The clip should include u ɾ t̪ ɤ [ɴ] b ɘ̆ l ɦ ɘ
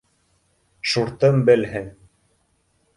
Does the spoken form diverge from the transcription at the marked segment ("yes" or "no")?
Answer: yes